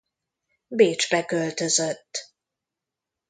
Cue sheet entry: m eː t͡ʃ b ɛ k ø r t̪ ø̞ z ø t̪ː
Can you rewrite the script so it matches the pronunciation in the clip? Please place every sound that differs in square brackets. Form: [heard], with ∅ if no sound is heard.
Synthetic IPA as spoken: [b] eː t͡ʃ b ɛ k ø [l] t̪ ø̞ z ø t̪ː